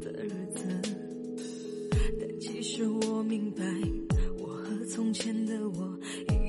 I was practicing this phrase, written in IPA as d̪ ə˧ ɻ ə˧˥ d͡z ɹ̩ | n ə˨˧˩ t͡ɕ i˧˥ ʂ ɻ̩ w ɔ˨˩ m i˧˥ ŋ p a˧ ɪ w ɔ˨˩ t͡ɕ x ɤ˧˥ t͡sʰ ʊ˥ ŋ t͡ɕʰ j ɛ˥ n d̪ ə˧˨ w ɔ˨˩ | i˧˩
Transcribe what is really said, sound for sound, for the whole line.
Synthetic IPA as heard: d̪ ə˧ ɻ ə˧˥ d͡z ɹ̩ | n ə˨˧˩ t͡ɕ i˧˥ ʂ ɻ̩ w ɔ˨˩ m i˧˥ ŋ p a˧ ɪ w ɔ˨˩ x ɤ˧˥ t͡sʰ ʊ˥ ŋ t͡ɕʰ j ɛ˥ n d̪ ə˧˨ w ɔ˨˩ | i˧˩